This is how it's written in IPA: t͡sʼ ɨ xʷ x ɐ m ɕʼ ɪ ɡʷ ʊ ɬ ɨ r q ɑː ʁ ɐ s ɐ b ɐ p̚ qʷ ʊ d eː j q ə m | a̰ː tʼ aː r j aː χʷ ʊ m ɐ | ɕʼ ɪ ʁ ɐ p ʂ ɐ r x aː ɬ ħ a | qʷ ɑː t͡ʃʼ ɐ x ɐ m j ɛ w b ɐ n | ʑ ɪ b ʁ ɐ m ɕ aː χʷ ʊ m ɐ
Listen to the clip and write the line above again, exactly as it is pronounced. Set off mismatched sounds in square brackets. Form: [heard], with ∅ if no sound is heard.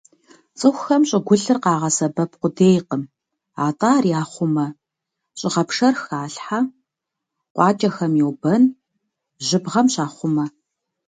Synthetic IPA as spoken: t͡sʼ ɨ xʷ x ɐ m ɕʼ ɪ ɡʷ ʊ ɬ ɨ r q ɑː ʁ ɐ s ɐ b ɐ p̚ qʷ ʊ d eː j q ə m | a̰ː tʼ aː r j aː χʷ ʊ m ɐ | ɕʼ ɪ ʁ ɐ p ʂ ɐ r x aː ɬ ħ a | qʷ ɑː t͡ʃʼ ɐ x ɐ m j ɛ w b ɐ n | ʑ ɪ b ʁ ɐ m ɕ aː χʷ ʊ m ɐ